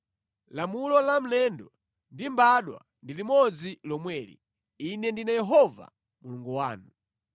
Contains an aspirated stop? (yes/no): no